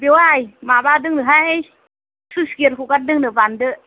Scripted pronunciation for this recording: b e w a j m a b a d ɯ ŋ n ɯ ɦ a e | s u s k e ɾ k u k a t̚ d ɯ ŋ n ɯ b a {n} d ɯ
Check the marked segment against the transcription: correct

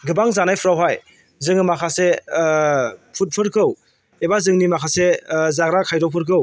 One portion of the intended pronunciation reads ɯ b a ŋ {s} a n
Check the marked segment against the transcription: incorrect: z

